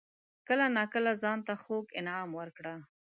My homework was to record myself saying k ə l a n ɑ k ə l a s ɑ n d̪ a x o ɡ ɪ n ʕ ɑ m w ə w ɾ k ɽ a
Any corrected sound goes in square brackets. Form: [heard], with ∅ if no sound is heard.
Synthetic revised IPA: k ə l a n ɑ k ə l a [z] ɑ n [t̪] a x o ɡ ɪ n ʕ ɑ m w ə [∅] ɾ k ɽ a